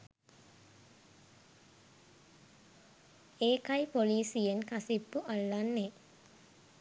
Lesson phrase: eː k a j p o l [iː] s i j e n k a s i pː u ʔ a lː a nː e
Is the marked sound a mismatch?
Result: no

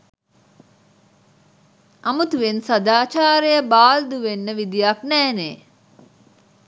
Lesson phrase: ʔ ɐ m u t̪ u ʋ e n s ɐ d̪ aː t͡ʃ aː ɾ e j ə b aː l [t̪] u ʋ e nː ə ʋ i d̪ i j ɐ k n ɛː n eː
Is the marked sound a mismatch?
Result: yes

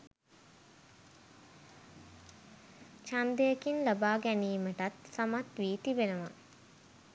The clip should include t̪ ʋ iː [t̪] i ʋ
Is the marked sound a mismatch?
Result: no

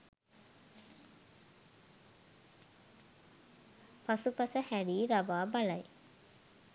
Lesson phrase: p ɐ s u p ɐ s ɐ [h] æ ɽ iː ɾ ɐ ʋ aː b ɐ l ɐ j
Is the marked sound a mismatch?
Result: no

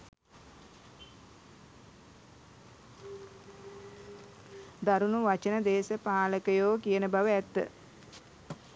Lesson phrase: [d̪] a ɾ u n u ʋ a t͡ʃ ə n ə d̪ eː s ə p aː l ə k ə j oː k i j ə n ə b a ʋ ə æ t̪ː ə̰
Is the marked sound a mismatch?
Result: no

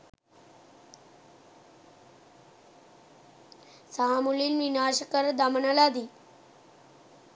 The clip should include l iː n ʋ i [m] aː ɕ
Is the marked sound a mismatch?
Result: yes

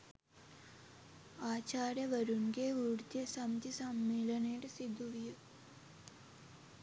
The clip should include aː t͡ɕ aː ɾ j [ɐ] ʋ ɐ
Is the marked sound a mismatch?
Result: no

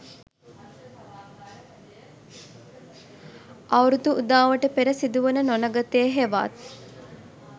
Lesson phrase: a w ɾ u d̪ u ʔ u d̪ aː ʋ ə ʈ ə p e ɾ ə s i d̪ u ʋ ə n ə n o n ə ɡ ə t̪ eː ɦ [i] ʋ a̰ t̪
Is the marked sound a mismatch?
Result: yes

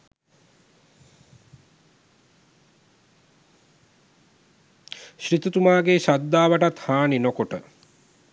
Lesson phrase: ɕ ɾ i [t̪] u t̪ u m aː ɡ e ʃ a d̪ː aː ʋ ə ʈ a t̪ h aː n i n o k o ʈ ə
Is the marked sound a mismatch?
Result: no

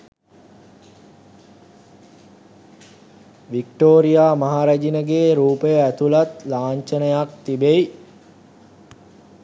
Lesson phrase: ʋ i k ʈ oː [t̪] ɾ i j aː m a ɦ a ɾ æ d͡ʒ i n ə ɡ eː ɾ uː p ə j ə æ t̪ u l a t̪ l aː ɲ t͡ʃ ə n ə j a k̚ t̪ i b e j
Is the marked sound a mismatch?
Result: yes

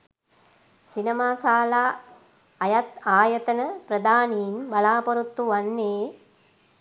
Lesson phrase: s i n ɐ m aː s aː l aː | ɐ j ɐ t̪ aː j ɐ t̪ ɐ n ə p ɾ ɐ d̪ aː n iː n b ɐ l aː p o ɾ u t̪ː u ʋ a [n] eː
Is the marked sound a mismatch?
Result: yes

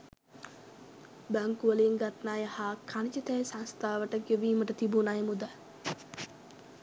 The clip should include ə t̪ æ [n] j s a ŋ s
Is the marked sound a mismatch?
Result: yes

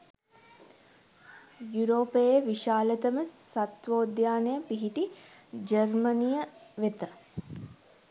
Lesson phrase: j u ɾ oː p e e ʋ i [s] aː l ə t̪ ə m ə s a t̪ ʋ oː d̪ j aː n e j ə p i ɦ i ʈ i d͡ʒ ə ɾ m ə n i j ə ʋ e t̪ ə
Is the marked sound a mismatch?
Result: yes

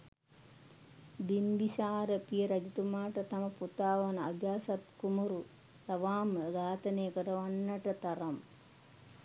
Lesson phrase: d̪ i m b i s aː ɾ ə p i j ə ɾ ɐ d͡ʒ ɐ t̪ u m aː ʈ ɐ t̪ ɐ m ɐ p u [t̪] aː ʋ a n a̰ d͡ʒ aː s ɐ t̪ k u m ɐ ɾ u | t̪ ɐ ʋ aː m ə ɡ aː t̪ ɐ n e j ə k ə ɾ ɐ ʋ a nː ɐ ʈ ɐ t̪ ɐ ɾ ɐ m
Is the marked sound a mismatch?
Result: no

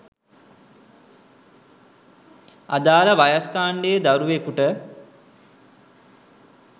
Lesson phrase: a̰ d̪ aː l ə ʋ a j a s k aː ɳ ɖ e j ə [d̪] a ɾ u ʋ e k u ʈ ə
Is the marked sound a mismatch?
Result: no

